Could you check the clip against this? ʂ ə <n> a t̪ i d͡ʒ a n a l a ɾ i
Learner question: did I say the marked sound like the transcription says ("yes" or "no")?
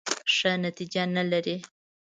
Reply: yes